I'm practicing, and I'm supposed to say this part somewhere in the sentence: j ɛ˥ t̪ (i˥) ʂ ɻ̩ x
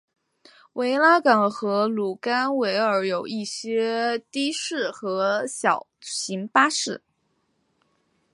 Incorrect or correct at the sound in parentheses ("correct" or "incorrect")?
correct